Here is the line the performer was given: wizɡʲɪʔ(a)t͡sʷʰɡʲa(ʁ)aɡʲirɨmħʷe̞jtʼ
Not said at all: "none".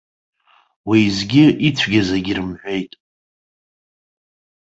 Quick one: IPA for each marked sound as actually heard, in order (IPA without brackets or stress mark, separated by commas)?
i, z